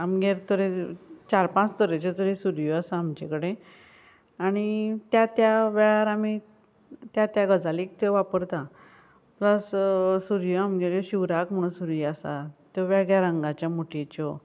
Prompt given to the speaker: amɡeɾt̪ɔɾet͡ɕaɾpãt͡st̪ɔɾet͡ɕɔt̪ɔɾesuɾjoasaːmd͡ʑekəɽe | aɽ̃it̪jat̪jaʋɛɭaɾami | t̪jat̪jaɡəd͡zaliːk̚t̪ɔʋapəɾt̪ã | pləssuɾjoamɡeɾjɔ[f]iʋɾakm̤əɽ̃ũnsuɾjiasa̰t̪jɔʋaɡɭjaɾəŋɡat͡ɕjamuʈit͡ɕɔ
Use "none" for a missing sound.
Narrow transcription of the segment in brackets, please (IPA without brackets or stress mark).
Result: ɕ